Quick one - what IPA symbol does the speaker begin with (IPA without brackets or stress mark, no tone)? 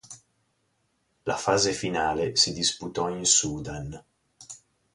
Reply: l